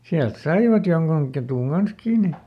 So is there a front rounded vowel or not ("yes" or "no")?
no